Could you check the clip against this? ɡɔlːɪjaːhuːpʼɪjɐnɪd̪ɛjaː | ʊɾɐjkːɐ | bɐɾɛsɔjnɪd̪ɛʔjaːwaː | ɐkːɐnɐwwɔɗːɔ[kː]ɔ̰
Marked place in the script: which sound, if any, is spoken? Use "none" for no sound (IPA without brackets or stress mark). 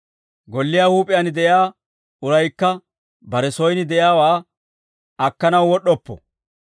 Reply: pː